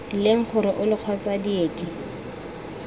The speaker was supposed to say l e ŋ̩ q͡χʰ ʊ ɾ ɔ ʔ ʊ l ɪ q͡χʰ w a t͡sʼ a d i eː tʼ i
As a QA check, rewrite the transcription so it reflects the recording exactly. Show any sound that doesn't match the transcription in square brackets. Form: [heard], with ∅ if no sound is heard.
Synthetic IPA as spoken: l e ŋ̩ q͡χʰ ʊ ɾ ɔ ʔ ʊ l ɪ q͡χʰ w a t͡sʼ a d i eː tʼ i